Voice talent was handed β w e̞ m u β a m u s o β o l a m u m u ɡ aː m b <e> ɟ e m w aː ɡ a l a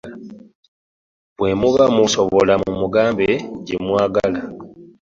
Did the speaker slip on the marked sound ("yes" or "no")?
no